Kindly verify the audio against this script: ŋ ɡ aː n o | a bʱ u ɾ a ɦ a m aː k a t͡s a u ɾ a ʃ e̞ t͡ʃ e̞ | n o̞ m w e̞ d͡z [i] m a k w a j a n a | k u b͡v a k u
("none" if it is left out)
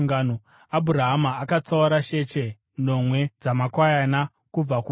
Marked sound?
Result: a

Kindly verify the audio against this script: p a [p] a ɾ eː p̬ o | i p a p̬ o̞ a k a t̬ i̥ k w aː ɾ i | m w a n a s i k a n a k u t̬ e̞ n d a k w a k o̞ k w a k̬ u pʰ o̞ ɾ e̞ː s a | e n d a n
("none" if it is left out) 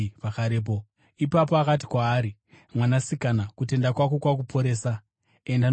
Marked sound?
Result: k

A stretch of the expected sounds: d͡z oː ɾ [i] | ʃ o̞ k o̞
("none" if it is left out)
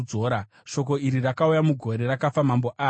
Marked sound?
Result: a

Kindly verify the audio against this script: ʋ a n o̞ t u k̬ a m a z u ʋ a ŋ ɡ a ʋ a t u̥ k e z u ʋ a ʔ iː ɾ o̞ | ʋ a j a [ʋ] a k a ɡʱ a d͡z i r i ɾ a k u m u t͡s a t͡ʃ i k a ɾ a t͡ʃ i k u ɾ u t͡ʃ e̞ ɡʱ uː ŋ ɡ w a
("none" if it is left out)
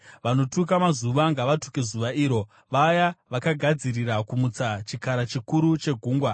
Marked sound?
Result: ʋ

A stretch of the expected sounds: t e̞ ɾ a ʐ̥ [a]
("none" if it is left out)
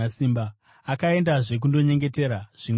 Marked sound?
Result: i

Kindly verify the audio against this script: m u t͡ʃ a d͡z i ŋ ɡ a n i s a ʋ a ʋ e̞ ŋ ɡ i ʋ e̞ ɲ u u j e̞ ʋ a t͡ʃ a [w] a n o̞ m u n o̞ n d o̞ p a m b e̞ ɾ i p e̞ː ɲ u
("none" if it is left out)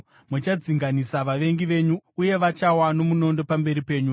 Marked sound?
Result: w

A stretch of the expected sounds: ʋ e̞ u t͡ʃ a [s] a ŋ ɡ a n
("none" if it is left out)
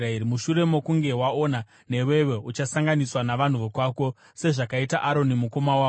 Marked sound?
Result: s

